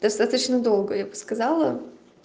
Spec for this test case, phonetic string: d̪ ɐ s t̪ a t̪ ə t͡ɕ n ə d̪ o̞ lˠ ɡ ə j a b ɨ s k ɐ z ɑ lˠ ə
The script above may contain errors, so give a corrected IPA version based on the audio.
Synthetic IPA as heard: d̪ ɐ s t̪ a t̪ ə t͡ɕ n ə d̪ o̞ lˠ ɡ ə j a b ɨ s k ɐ z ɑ lˠ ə

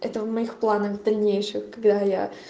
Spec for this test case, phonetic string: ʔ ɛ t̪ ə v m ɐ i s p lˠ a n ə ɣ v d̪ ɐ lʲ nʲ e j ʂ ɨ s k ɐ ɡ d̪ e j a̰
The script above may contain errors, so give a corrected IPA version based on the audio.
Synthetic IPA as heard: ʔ ɛ t̪ ə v m ɐ i x p lˠ a n ə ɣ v d̪ ɐ lʲ nʲ e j ʂ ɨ x k ɐ ɡ d̪ a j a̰

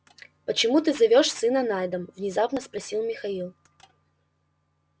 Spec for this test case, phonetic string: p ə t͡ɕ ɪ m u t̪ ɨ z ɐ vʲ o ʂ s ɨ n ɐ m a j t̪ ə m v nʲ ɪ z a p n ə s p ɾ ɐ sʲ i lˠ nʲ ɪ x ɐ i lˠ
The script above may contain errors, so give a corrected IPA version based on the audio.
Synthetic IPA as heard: p ə t͡ɕ ɪ m u t̪ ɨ z ɐ vʲ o ʂ s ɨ n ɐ n a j d̪ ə m v nʲ ɪ z a p n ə s p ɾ ɐ sʲ i lˠ mʲ ɪ x ɐ i lˠ

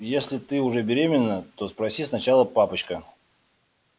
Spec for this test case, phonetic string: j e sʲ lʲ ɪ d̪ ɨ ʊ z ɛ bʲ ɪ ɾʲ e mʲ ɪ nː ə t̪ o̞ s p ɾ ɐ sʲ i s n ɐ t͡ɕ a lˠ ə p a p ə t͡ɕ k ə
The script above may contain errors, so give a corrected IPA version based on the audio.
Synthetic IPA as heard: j e sʲ lʲ ɪ t̪ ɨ ʊ ʐ ɛ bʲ ɪ ɾʲ e mʲ ɪ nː ə t̪ o̞ s p ɾ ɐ sʲ i s n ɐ t͡ɕ a lˠ ə p a p ə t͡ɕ k ə

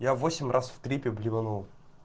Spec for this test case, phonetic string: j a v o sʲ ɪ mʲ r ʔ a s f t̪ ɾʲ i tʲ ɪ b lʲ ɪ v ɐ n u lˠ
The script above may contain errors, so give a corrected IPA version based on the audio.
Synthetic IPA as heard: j a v o sʲ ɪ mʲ r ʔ a s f t̪ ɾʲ i pʲ ɪ b lʲ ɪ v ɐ n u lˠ

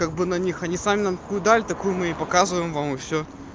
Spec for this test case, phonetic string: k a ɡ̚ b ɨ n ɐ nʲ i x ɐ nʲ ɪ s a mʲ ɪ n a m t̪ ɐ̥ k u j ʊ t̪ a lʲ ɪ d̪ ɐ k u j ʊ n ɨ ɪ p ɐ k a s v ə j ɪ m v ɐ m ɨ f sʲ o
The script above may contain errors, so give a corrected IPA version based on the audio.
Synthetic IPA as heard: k a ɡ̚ b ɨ n ɐ nʲ i x ɐ nʲ i s a mʲ ɪ n a m t̪ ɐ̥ k u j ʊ d̪ a lʲ ɪ t̪ ɐ k u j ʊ m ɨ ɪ p ɐ k a z v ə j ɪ m v a m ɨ f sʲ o

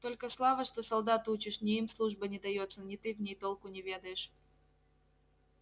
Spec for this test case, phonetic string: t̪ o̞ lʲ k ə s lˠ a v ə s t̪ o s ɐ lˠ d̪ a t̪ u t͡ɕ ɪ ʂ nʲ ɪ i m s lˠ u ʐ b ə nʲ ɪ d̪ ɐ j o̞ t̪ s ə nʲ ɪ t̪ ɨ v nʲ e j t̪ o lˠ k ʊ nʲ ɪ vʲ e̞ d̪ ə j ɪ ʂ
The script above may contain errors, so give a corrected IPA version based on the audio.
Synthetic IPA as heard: t̪ o̞ lʲ k ə s lˠ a v ə ʂ t̪ o s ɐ lˠ d̪ a t̪ u t͡ɕ ɪ ʂ nʲ ɪ i m s lˠ u ʐ b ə nʲ ɪ d̪ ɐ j o̞ t̪ s ə nʲ ɪ t̪ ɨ v nʲ e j t̪ o lˠ k ʊ nʲ ɪ vʲ e̞ d̪ ə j ɪ ʂ

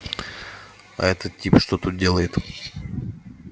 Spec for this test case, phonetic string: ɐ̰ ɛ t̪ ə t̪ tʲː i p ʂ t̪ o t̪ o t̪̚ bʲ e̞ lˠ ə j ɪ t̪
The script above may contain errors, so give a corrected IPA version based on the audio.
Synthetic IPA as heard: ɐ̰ ɛ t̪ ə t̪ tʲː i p ʂ t̪ o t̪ u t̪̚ dʲ e̞ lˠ ə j ɪ t̪

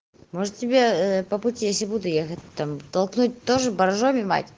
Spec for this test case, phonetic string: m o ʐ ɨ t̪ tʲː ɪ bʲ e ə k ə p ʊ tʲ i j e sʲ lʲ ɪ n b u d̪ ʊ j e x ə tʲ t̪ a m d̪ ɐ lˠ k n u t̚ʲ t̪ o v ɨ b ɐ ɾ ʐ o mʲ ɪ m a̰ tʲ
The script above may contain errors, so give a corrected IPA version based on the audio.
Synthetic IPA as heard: m o ʐ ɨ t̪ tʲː ɪ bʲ e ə p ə p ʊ tʲ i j e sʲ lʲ ɪ b u d̪ ʊ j e x ə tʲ t̪ a m t̪ ɐ lˠ k n u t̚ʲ t̪ o ʐ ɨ b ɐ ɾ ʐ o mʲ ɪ m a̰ tʲ

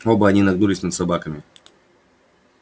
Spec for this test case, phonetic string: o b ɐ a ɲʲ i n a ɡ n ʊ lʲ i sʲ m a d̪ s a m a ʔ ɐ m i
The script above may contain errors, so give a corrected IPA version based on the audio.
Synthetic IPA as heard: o b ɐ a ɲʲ i n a ɡ n u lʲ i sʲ n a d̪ s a b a k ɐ m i

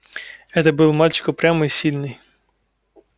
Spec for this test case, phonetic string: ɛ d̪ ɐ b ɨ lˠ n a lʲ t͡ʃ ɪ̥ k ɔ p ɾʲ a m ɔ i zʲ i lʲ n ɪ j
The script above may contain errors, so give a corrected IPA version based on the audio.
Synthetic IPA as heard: ɛ t̪ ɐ b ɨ lˠ m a lʲ t͡ʃ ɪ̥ k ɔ p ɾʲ a m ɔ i sʲ i lʲ n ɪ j

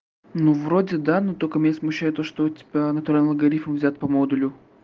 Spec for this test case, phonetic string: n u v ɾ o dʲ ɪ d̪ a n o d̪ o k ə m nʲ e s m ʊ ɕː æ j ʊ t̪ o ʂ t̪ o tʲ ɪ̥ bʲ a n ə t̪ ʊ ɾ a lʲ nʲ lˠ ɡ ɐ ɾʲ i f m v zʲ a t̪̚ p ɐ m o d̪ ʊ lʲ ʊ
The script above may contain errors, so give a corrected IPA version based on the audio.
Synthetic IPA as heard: n u v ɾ o dʲ ɪ d̪ a n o t̪ o k ə m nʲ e s m ʊ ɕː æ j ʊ t̪ o ʂ t̪ o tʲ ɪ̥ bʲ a n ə t̪ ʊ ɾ a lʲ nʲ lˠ ɡ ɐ ɾʲ i f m v zʲ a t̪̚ p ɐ m o d̪ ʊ lʲ ʊ

